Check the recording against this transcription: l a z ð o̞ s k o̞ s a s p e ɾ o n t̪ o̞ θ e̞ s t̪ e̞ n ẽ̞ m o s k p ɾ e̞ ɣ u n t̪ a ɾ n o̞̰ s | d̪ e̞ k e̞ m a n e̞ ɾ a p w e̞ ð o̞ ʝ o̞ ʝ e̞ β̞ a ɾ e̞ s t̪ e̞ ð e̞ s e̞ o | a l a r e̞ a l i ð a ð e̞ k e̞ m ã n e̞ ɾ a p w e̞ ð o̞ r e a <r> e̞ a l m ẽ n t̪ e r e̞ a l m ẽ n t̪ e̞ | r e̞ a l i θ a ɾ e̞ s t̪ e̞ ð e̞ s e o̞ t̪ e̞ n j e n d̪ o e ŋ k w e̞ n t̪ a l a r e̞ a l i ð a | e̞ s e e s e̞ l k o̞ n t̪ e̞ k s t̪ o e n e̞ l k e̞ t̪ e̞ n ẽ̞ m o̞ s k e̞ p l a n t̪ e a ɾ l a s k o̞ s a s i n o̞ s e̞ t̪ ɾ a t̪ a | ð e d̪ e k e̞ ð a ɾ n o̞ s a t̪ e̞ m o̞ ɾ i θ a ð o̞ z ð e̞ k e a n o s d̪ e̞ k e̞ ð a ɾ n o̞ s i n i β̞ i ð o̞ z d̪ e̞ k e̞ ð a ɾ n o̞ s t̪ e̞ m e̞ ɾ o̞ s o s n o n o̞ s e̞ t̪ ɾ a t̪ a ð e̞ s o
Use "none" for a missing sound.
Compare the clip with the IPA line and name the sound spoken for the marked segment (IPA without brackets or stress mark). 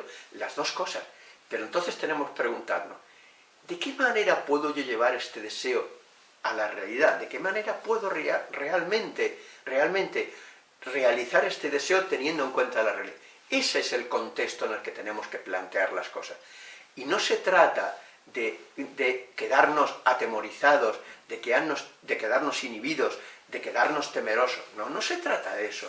r